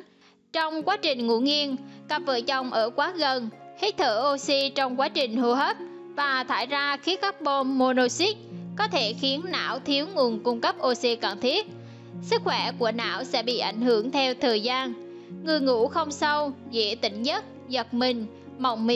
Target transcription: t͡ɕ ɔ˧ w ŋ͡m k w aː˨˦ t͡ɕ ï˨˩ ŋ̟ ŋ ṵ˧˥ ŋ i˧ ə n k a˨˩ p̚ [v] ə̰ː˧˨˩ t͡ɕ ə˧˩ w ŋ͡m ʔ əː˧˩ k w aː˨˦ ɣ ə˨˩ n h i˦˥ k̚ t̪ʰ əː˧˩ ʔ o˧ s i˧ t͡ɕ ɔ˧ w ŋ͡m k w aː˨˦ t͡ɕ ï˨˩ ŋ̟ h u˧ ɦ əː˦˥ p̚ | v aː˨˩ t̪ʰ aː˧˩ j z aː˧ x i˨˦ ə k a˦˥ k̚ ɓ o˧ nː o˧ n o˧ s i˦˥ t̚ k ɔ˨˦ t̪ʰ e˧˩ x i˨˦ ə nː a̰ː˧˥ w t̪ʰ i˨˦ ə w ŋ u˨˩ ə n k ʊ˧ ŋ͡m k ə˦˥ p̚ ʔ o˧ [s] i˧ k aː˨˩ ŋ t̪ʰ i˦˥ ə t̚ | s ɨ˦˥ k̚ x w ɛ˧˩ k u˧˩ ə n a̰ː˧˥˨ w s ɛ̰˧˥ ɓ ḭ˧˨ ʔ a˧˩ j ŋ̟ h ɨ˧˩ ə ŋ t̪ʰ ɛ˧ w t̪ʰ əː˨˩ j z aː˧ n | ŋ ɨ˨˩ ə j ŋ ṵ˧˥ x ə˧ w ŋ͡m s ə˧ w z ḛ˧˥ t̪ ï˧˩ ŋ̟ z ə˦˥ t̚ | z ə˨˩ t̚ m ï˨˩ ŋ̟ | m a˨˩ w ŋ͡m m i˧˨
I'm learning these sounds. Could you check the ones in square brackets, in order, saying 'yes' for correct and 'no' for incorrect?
yes, yes

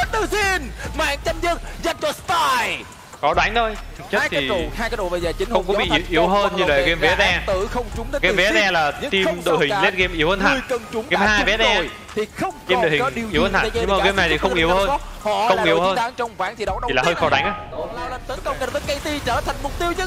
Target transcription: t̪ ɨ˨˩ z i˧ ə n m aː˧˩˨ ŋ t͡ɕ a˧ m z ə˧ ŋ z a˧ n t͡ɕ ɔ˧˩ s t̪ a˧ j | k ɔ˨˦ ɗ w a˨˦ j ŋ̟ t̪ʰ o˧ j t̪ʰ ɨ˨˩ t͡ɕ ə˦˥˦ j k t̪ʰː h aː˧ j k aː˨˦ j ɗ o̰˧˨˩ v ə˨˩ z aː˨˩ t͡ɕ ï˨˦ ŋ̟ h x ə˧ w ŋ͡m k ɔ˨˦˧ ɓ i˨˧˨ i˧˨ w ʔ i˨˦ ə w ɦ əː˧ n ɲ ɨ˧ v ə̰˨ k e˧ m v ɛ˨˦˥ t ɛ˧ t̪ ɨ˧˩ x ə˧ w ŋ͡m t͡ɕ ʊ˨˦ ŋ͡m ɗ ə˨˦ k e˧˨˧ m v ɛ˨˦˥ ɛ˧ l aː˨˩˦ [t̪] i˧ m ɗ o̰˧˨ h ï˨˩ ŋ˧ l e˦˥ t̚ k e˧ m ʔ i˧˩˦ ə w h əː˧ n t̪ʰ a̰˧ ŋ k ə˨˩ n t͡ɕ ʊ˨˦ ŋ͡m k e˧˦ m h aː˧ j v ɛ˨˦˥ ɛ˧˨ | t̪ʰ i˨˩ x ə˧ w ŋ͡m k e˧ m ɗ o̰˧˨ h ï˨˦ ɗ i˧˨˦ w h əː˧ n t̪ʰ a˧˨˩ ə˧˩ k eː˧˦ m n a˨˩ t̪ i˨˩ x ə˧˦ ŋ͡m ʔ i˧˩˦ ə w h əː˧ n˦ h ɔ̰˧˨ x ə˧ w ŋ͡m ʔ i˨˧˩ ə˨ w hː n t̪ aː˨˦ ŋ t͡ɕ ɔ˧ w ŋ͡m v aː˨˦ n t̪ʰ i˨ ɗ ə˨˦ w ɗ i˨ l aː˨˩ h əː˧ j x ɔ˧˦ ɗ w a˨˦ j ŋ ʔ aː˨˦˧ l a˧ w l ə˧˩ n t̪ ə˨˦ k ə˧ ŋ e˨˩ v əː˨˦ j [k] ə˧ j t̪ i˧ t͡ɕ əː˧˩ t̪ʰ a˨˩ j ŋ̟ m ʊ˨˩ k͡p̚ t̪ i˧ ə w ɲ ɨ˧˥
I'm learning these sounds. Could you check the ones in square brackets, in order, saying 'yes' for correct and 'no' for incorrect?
yes, yes

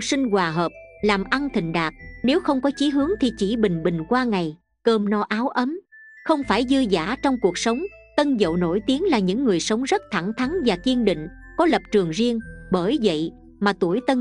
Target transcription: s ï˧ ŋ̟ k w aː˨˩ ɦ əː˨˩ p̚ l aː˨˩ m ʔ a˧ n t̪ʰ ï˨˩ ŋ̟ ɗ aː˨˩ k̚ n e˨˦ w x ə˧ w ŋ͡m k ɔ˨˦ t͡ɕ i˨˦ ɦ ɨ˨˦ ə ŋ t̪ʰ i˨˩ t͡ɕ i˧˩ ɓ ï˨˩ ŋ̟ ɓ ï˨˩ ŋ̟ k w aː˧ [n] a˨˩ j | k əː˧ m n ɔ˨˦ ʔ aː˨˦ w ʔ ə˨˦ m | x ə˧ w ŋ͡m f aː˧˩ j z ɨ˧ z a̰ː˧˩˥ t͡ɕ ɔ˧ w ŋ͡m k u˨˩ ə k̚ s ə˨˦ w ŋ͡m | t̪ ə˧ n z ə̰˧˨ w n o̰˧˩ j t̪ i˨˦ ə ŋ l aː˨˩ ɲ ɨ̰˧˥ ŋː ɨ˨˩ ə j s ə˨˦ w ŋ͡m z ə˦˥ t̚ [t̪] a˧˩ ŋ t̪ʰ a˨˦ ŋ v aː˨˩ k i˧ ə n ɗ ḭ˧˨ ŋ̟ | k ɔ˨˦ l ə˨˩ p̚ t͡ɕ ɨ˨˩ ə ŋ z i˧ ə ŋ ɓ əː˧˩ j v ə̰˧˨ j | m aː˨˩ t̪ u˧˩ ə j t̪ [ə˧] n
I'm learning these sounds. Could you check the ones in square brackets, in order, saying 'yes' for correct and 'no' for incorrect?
no, no, yes

